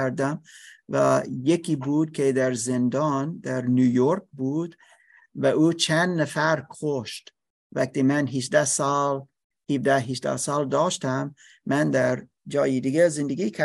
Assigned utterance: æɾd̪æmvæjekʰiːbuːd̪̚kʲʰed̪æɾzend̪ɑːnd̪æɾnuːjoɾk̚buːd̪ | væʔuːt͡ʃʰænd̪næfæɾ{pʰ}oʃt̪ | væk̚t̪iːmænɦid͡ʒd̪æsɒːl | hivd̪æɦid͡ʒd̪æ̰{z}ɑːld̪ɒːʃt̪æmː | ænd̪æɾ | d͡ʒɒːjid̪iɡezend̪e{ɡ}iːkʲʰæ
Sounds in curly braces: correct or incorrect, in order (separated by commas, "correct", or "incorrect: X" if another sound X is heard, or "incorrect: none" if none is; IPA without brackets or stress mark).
incorrect: kʰ, incorrect: s, correct